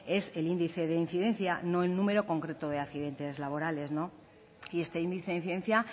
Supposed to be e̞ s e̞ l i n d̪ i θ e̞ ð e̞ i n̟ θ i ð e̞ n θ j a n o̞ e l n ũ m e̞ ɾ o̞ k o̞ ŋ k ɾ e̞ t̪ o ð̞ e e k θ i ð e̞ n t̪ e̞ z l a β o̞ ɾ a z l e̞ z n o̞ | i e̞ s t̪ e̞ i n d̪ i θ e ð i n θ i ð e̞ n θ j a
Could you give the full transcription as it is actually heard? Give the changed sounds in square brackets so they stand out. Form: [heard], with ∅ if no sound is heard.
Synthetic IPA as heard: e̞ s e̞ l i n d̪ i θ e̞ ð e̞ i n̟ θ i ð e̞ n θ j a n o̞ e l n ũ m e̞ ɾ o̞ k o̞ ŋ k ɾ e̞ t̪ o ð̞ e [a] k θ i ð e̞ n t̪ e̞ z l a β o̞ ɾ a [∅] l e̞ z n o̞ | i e̞ s t̪ e̞ i n d̪ i θ e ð i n θ i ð e̞ n θ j a